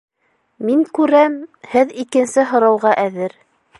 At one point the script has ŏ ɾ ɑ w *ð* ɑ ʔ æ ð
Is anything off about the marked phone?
yes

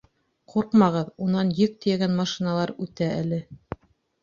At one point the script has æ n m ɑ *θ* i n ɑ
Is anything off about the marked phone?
yes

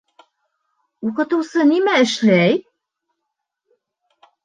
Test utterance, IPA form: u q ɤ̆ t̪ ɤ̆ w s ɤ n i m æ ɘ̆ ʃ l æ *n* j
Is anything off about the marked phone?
yes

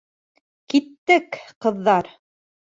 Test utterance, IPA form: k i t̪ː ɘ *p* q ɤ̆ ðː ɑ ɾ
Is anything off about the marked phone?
yes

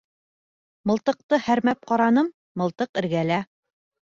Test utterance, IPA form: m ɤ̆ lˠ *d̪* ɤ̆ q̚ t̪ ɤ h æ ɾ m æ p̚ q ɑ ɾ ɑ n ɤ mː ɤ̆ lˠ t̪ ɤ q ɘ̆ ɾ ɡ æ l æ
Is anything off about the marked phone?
yes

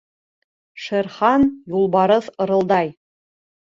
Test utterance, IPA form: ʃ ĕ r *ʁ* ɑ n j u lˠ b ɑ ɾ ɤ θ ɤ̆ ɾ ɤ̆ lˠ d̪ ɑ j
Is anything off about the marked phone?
yes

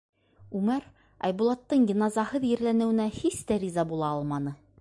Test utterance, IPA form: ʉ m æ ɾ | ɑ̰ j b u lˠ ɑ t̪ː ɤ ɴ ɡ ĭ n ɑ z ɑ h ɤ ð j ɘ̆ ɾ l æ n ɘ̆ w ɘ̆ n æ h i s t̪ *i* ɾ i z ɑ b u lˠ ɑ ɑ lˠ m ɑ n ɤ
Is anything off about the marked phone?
yes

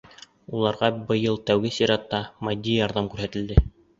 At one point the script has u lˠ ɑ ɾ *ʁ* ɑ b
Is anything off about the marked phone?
no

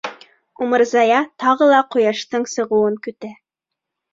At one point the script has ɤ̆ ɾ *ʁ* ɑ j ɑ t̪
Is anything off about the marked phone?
yes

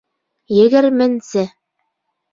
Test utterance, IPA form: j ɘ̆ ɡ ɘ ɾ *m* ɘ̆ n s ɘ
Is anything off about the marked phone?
no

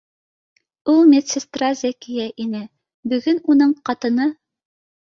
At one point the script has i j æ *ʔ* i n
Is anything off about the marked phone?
no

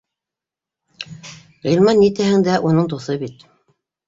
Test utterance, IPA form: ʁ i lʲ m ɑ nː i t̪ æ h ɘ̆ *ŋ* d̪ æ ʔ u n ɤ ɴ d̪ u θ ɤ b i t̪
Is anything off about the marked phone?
no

